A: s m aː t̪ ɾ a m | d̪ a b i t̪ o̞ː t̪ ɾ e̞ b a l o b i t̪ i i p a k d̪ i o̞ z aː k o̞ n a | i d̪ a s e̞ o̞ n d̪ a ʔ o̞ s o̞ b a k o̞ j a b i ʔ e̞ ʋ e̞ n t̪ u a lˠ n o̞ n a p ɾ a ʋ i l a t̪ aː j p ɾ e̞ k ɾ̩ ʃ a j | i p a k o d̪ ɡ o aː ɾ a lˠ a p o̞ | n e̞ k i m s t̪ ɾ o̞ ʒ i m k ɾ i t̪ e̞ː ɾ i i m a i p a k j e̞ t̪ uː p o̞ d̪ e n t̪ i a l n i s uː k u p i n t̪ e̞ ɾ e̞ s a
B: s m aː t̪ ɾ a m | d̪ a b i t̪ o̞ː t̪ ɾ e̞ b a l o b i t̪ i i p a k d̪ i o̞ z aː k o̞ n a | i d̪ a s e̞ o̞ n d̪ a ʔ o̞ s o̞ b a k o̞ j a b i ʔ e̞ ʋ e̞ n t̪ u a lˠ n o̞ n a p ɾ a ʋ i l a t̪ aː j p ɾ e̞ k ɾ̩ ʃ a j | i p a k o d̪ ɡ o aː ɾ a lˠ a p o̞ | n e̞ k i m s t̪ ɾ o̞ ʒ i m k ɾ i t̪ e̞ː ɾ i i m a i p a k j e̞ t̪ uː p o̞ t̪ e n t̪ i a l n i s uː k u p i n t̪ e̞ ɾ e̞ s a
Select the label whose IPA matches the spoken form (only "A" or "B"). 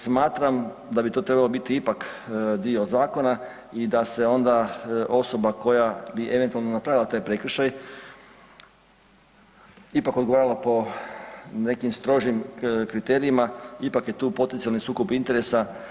B